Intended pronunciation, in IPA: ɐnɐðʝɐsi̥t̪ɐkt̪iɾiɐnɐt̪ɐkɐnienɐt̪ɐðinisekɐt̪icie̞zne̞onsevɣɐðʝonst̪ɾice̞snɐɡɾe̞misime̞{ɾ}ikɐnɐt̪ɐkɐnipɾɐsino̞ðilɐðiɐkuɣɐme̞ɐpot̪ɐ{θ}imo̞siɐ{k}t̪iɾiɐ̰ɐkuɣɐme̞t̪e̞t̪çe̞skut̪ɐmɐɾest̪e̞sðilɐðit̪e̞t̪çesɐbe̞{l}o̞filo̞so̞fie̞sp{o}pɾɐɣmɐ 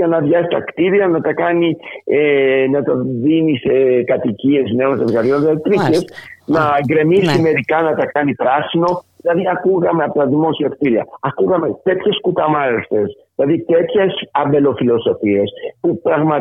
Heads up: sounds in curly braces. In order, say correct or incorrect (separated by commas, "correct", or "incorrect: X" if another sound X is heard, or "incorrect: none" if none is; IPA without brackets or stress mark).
correct, incorrect: ð, correct, correct, incorrect: u